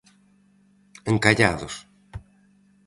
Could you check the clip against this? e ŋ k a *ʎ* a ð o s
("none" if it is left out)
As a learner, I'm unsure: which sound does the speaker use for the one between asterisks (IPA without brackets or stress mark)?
ʎ